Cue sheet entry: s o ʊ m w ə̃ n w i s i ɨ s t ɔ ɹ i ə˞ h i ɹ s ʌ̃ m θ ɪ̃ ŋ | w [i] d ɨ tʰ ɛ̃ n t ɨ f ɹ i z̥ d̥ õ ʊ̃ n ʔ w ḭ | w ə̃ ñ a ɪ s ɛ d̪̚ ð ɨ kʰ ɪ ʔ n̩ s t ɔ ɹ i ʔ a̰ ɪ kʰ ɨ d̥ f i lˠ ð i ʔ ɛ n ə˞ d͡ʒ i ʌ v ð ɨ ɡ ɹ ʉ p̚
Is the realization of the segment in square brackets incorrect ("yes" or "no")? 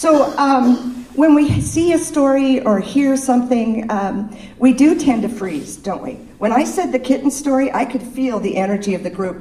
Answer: no